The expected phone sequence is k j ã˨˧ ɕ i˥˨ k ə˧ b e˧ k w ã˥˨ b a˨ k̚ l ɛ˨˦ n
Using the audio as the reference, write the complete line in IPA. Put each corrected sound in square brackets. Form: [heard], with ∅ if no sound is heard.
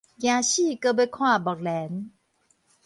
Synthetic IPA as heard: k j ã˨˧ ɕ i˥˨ k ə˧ b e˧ [kʰ] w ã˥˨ b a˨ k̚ l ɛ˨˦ n